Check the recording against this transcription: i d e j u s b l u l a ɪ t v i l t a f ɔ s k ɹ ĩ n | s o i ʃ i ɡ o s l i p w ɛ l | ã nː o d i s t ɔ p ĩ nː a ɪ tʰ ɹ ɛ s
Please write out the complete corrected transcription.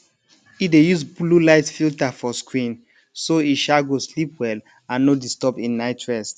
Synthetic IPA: i d e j u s b l u l a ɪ t f i l t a f ɔ s k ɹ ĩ n | s o i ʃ a ɡ o s l i p w ɛ l | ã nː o d i s t ɔ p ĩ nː a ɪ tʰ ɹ ɛ s